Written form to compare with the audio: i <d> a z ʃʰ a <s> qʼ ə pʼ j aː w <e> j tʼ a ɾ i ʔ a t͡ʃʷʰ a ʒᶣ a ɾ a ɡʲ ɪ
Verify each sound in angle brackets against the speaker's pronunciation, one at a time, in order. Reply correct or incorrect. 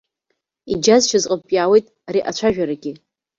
incorrect, incorrect, correct

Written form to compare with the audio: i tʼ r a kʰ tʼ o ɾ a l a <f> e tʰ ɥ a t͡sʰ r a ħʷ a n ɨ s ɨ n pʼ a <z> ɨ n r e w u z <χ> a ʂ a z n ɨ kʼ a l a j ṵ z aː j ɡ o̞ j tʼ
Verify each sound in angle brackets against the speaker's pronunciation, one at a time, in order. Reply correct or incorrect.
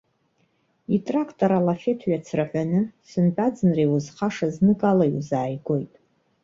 correct, incorrect, correct

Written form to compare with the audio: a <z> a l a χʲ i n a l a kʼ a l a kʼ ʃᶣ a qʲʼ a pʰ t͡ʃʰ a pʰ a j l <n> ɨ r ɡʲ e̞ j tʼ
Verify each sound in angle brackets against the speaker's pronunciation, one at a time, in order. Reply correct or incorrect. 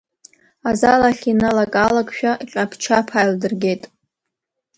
correct, incorrect

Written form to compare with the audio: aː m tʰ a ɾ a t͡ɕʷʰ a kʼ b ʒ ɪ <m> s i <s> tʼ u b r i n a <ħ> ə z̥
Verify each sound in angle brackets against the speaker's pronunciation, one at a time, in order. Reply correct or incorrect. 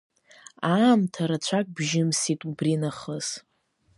correct, incorrect, incorrect

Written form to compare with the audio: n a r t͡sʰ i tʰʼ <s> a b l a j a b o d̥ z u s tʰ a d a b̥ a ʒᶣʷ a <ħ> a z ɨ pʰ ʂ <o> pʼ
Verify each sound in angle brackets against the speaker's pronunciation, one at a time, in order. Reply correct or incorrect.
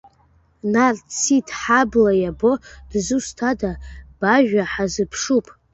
incorrect, correct, incorrect

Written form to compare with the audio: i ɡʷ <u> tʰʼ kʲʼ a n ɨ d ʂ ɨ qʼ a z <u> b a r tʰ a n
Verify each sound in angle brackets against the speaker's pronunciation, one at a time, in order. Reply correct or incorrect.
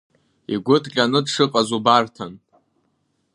incorrect, correct

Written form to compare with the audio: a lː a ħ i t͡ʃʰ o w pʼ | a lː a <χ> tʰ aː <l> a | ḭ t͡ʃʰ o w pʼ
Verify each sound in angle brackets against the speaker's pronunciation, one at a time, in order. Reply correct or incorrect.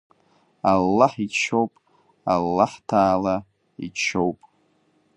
incorrect, correct

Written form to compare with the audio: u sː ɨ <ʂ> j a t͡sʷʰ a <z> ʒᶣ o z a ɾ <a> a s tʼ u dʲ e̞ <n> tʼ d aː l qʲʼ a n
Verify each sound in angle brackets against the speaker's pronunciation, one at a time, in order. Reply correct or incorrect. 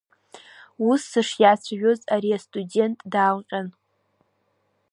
correct, incorrect, incorrect, correct

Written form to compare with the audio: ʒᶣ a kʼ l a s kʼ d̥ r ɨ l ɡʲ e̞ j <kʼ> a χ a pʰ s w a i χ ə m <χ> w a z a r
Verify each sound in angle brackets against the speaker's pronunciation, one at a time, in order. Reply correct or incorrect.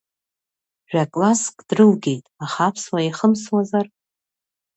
incorrect, incorrect

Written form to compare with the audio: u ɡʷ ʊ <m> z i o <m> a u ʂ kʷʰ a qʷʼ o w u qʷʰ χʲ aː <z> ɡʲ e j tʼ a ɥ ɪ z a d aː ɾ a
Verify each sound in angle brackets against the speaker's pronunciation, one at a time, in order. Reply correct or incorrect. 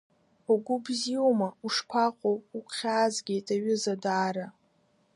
incorrect, correct, correct

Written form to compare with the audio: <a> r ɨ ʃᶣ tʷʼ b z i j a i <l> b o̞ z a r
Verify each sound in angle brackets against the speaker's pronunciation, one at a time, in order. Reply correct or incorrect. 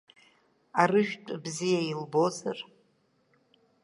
correct, correct

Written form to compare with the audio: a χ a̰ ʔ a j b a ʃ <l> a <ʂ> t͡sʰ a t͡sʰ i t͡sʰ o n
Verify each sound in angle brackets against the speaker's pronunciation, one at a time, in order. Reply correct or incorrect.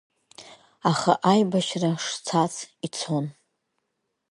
incorrect, correct

